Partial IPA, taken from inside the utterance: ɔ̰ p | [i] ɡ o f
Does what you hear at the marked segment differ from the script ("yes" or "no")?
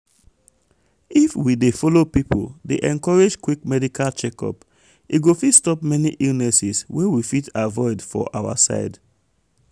no